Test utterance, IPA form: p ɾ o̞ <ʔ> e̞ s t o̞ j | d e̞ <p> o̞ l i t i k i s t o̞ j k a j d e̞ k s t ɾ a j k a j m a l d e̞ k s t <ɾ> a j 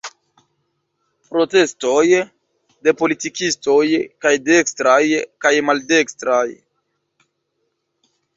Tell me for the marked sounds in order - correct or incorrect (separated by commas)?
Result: incorrect, correct, correct